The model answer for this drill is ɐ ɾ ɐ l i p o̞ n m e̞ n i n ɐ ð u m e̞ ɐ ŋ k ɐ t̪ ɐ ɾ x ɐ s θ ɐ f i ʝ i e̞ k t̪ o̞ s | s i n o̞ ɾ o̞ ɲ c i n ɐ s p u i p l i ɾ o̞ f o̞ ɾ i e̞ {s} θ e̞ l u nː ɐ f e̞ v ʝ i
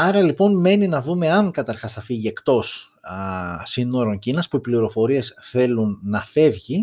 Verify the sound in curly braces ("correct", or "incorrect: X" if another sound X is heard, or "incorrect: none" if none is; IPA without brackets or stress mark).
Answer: correct